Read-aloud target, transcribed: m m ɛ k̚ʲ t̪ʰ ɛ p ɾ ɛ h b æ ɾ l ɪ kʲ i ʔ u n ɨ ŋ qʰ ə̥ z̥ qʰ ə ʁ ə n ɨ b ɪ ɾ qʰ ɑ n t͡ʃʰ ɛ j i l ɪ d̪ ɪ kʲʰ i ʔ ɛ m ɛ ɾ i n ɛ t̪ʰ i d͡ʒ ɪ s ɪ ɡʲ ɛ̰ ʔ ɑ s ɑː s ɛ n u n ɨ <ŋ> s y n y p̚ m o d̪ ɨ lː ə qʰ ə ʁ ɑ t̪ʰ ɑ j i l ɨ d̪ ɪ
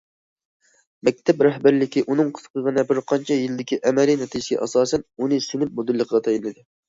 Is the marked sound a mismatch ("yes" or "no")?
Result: yes